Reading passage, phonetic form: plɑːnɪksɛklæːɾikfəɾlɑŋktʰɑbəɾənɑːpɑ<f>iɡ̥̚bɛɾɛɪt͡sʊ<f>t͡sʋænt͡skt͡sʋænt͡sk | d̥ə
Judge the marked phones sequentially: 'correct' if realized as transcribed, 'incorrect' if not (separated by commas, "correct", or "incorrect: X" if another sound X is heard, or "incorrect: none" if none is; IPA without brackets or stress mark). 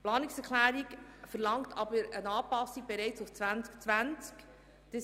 incorrect: s, correct